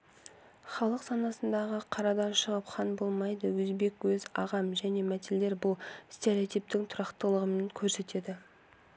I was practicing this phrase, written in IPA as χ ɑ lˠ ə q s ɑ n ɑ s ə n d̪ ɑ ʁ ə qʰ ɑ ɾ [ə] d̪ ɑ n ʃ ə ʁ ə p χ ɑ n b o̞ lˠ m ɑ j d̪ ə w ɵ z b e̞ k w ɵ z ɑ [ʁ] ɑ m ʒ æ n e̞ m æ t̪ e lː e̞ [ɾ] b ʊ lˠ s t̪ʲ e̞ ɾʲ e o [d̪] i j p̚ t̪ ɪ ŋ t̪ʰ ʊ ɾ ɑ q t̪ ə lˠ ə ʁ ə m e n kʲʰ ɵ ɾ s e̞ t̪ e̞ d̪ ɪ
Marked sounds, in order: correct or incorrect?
incorrect: ɑ, correct, correct, incorrect: t̪

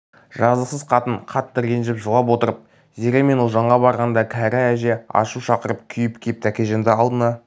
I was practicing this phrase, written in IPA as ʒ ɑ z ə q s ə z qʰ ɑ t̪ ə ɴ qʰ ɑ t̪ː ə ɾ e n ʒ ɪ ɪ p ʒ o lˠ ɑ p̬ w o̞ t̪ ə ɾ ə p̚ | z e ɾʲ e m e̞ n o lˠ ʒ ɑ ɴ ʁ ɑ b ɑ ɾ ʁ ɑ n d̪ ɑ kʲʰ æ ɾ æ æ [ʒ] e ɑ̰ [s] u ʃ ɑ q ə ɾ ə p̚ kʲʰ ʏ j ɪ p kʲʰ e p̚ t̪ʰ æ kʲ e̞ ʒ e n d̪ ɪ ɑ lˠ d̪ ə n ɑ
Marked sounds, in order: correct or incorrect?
correct, incorrect: ʃ

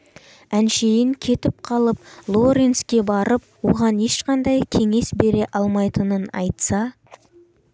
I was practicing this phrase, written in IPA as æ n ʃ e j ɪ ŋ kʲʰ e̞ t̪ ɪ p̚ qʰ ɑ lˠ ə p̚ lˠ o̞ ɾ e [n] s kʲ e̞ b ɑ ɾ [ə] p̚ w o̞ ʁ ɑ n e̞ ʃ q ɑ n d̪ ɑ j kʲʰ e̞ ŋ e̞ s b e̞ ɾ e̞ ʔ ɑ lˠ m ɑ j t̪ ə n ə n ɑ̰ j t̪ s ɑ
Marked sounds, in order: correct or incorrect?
correct, correct

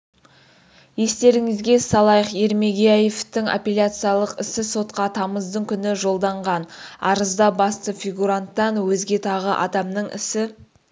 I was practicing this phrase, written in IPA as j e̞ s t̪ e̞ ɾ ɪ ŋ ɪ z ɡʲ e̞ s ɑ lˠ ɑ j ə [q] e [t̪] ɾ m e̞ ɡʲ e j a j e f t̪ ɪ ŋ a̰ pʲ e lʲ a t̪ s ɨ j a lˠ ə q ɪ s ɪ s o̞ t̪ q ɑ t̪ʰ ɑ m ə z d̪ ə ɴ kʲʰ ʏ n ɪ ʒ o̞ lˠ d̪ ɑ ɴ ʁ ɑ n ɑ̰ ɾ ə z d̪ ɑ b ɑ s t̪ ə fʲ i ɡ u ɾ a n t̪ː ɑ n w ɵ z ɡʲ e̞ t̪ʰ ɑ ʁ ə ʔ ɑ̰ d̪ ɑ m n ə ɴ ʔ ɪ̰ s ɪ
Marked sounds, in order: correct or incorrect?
correct, incorrect: none

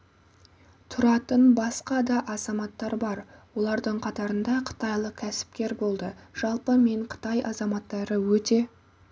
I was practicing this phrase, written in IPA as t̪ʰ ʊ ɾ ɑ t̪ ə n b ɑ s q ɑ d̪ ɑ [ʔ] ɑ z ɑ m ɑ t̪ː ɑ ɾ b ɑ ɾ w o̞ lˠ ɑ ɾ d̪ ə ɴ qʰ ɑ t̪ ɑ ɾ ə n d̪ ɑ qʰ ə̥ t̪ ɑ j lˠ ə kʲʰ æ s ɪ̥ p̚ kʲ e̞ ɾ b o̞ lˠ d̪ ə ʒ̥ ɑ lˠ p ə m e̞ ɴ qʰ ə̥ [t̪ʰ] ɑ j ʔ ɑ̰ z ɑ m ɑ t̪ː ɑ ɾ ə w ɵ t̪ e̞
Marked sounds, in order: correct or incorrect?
correct, incorrect: t̪

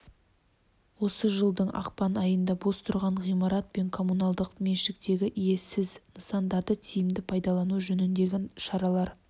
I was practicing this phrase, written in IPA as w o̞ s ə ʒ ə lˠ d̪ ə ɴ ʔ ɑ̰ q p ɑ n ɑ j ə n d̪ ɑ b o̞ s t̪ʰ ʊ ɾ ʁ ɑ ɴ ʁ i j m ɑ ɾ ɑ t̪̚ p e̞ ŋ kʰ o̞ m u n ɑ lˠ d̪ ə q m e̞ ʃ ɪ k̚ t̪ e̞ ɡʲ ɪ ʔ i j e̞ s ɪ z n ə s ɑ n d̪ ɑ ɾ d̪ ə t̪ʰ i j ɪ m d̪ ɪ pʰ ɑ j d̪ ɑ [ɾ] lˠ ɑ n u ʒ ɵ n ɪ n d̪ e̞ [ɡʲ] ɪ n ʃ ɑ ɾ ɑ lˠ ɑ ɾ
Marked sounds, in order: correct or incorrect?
incorrect: none, correct

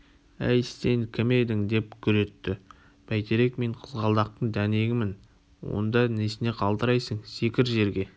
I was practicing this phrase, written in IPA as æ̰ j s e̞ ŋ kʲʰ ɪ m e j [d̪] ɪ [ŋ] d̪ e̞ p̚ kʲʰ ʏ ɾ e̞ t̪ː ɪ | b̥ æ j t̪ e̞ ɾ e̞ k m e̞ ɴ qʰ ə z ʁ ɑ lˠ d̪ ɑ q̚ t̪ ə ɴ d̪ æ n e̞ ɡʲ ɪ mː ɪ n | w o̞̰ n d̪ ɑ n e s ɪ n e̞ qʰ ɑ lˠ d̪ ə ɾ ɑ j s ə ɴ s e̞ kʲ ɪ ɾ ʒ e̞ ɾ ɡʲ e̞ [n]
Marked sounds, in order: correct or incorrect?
correct, correct, incorrect: none

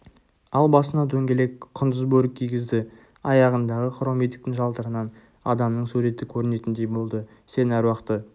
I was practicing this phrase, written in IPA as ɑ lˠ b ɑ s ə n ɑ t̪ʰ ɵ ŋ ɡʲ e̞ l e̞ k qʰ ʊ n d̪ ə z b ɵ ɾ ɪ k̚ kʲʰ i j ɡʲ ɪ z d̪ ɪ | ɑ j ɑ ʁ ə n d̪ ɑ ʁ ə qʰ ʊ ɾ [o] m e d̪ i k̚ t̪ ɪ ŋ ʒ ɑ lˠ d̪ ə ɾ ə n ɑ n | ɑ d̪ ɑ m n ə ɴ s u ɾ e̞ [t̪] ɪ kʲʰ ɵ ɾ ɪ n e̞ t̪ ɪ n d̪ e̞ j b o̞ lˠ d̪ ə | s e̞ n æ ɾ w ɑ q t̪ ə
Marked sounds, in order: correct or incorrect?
correct, correct

